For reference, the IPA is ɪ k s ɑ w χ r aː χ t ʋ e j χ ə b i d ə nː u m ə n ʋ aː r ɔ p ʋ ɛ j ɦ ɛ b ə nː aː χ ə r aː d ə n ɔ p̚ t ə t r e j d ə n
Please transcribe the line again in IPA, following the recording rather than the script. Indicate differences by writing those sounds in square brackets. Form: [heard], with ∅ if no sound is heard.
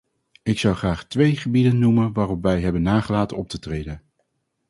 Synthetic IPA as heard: ɪ k s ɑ w χ r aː χ t ʋ e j χ ə b i d ə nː u m ə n ʋ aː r ɔ p ʋ ɛ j ɦ ɛ b ə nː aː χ ə [l] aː [t] ə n ɔ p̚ t ə t r e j d ə n